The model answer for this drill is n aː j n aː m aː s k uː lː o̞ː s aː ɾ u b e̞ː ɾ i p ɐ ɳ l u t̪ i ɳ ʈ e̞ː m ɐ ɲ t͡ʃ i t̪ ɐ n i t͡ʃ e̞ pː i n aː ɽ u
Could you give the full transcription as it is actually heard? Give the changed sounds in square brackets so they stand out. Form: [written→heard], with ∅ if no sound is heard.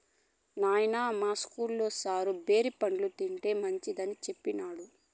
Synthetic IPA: n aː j n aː m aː s k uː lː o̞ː s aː ɾ u b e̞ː ɾ i p ɐ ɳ l u t̪ i ɳ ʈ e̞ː m ɐ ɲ t͡ʃ i [t̪→d̪] ɐ n i t͡ʃ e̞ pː i n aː ɽ u